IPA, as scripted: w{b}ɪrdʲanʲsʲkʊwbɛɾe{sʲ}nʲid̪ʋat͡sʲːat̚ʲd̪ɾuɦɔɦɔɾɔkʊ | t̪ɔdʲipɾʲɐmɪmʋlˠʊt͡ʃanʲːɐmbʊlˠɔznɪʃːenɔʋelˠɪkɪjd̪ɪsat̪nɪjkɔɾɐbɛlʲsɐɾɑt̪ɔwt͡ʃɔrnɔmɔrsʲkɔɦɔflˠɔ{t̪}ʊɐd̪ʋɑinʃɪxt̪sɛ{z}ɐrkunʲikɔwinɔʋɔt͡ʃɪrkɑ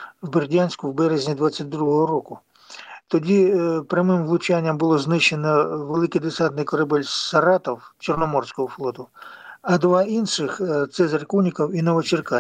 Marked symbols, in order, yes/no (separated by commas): yes, no, yes, yes